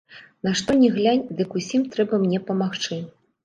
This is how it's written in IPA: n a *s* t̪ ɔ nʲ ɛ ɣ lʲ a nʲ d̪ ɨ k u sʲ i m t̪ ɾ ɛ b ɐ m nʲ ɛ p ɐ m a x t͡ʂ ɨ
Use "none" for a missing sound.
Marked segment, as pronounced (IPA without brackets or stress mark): ʂ